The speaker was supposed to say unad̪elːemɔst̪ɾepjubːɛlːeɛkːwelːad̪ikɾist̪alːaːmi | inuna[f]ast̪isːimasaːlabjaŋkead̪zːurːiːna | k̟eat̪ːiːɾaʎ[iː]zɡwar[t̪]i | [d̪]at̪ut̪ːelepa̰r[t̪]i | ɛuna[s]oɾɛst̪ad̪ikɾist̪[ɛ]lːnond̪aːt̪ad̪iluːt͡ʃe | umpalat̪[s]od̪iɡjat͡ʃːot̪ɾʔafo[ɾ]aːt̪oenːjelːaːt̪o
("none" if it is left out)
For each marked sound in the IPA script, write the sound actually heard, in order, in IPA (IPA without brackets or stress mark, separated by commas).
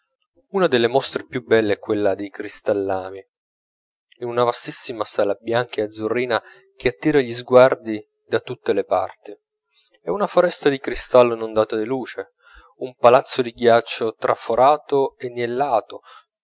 v, i, d̪, d̪, t̪, f, a, sː, ɾ